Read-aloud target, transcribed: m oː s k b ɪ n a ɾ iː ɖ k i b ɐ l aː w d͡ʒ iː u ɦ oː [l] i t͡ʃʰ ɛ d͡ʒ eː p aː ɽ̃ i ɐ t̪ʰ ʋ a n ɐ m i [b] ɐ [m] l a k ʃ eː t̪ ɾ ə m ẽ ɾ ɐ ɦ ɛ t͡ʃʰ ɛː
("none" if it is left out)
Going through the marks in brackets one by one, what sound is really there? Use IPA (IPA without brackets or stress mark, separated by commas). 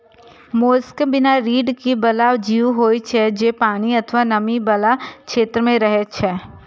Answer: none, b, none